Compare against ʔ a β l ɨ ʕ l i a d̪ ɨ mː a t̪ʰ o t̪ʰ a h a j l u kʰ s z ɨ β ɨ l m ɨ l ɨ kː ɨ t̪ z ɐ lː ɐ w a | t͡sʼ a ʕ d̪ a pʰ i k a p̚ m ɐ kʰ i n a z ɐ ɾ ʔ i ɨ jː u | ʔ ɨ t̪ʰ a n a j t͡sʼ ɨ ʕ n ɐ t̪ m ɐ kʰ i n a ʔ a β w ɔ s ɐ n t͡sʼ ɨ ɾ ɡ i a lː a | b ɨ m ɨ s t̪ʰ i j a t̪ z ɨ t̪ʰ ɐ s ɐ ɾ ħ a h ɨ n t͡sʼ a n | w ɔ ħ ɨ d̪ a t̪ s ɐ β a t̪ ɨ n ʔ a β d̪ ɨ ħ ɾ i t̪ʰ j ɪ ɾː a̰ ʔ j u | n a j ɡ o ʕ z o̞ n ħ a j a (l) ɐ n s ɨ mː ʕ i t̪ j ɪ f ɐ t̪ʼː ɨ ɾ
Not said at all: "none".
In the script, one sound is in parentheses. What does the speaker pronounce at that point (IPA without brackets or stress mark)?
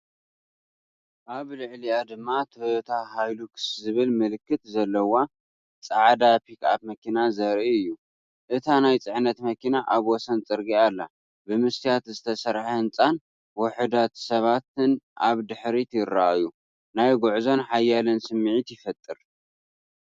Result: l